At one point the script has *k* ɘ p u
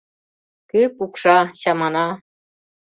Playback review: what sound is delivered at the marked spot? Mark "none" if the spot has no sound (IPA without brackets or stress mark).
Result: k